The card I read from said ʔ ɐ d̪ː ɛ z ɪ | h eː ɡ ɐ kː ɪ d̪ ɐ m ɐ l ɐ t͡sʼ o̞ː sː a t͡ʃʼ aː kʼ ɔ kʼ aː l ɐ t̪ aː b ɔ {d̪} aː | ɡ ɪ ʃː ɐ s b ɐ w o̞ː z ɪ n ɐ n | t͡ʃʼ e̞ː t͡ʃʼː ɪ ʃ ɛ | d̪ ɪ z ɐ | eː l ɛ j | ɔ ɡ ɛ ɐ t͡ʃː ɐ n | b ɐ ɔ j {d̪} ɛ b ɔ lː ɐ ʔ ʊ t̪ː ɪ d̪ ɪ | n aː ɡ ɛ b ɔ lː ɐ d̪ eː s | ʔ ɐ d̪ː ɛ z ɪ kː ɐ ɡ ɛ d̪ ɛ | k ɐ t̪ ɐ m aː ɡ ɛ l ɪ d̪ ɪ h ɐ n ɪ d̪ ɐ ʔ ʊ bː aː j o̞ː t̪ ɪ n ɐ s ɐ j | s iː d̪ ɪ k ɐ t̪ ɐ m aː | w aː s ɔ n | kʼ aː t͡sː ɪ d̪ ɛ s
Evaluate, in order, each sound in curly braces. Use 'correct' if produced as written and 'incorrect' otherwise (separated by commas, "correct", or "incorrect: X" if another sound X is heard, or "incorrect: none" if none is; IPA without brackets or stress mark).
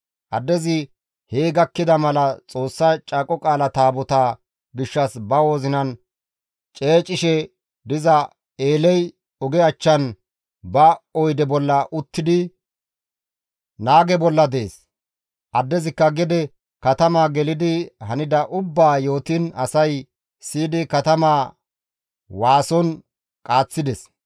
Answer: incorrect: t̪, correct